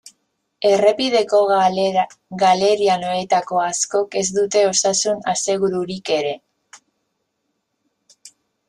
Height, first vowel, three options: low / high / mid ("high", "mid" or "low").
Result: mid